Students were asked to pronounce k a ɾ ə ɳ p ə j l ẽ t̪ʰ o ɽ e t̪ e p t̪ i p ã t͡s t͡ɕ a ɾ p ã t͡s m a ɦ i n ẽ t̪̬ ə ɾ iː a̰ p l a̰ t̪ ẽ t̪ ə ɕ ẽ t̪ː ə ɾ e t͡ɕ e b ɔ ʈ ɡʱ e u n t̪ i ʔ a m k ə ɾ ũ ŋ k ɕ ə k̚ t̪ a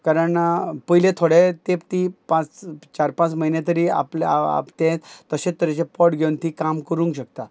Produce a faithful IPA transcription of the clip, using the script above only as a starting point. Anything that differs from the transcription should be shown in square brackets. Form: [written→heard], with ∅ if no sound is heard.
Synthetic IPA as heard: k a ɾ ə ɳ p ə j l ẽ t̪ʰ o ɽ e t̪ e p t̪ i p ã t͡s t͡ɕ a ɾ p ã t͡s m [a→ə] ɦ i n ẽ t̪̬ ə ɾ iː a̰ p l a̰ t̪ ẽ t̪ ə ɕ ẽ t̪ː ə ɾ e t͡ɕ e [b→p] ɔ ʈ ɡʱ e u n t̪ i [ʔ→k] a m k ə ɾ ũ ŋ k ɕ ə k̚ t̪ a